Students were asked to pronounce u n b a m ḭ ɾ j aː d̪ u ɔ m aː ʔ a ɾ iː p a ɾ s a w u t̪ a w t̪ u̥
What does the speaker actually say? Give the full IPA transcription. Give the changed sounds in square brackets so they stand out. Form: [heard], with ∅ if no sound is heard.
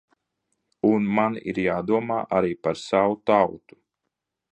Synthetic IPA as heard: u n [m] a [n] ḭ ɾ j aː d̪ u ɔ m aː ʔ a ɾ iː p a ɾ s a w u t̪ a w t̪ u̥